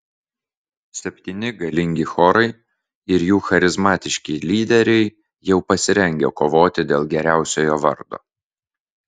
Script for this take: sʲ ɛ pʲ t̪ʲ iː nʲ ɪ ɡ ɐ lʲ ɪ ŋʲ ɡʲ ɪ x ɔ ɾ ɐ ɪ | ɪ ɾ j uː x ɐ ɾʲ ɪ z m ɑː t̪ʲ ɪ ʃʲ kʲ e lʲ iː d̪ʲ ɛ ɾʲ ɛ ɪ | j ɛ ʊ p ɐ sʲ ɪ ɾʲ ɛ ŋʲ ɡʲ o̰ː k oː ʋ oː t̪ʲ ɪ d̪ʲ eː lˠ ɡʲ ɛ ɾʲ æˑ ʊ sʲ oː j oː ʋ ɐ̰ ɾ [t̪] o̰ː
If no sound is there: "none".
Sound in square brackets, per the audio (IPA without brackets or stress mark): d̪